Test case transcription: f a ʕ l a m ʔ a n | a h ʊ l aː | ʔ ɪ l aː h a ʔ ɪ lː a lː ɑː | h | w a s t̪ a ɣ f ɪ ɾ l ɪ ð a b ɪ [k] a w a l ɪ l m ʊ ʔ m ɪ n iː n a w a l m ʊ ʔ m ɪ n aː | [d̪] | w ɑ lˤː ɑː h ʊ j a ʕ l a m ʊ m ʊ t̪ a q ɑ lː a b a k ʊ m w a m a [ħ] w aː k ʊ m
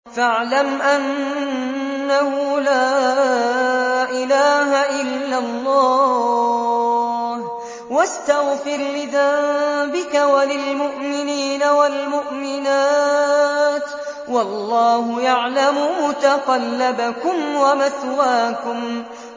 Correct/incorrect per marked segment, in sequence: correct, incorrect, incorrect

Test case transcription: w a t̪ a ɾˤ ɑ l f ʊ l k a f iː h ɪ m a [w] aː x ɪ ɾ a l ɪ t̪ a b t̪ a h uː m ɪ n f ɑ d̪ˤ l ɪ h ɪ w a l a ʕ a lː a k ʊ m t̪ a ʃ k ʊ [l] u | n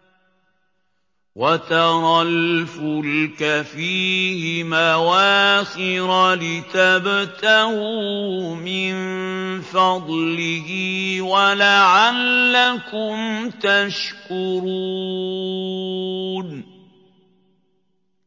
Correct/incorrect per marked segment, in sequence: correct, incorrect

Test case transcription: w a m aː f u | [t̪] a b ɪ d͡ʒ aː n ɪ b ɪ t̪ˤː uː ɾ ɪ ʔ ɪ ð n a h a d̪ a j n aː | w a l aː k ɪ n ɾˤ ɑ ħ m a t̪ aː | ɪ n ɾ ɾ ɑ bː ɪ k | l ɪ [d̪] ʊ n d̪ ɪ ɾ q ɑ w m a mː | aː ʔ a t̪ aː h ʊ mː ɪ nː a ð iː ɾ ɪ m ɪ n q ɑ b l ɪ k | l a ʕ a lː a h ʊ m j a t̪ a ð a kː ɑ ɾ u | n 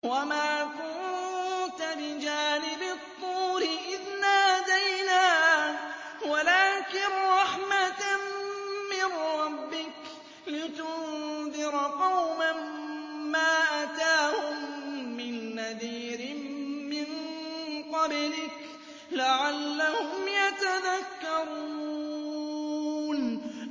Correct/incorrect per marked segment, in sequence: correct, incorrect

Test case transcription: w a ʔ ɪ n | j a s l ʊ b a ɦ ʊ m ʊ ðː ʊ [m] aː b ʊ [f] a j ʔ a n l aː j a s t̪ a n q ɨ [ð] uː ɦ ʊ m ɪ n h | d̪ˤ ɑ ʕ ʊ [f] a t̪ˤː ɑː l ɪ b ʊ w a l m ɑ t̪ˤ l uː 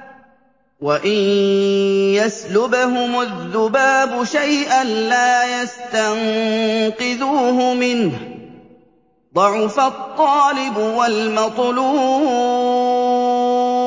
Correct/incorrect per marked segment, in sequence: incorrect, incorrect, correct, correct

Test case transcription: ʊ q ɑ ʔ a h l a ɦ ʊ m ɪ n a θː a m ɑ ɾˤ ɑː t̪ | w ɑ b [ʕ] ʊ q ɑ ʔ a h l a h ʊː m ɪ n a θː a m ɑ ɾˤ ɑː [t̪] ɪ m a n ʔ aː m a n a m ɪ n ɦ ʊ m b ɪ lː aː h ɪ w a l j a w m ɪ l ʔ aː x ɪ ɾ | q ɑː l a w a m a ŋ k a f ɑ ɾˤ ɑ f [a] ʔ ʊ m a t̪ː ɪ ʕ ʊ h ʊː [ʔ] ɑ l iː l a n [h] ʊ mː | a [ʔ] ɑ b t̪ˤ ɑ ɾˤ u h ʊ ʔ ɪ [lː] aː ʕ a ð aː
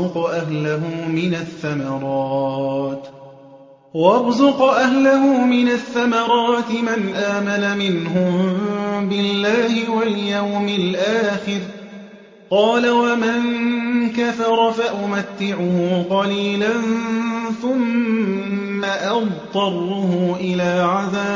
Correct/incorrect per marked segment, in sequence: incorrect, correct, correct, incorrect, incorrect, correct, incorrect

